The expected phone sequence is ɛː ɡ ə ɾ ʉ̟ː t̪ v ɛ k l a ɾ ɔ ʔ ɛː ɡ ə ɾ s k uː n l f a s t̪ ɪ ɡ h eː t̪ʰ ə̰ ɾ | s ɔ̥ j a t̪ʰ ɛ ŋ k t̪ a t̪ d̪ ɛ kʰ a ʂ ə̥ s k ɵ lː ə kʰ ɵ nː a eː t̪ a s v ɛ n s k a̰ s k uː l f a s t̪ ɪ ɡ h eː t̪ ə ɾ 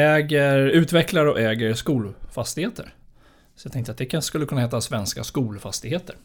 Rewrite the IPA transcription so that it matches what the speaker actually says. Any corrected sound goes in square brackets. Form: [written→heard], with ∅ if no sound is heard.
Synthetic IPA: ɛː ɡ ə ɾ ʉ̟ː t̪ v ɛ k l a ɾ ɔ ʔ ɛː ɡ ə ɾ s k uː [n→∅] l f a s t̪ ɪ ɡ h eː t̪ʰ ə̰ ɾ | s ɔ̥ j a t̪ʰ ɛ ŋ k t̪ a t̪ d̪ ɛ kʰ a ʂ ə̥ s k ɵ lː ə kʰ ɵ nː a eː t̪ a s v ɛ n s k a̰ s k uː l f a s t̪ ɪ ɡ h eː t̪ ə ɾ